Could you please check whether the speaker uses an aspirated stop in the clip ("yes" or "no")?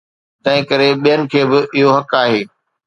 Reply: yes